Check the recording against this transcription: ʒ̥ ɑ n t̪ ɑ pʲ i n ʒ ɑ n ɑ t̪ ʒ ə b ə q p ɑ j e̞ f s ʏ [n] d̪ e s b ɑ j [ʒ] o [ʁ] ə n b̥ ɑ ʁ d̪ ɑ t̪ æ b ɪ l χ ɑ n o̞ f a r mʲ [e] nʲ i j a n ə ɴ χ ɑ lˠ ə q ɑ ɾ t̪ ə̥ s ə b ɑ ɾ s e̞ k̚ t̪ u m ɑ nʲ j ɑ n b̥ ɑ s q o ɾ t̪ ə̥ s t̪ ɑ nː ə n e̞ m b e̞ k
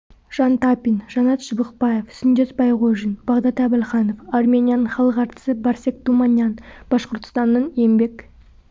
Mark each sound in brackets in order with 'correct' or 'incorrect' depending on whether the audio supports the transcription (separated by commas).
correct, incorrect, incorrect, correct